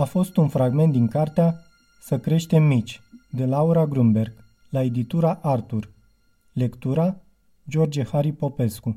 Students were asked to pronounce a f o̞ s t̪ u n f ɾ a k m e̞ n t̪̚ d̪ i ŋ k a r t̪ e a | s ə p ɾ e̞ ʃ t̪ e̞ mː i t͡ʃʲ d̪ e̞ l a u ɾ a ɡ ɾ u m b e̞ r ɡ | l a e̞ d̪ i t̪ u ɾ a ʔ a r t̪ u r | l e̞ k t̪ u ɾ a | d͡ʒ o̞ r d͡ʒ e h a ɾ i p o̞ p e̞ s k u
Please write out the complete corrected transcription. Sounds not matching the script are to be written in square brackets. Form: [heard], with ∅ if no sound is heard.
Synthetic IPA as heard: a f o̞ s t̪ u n f ɾ a [ɡ] m e̞ n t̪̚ d̪ i ŋ k a r t̪ e a | s ə [k] ɾ e̞ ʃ t̪ e̞ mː i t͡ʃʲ d̪ e̞ l a u ɾ a ɡ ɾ u m b e̞ r ɡ | l a e̞ d̪ i t̪ u ɾ a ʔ a r t̪ u r | l e̞ k t̪ u ɾ a | d͡ʒ o̞ r d͡ʒ e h a ɾ i p o̞ p e̞ s k u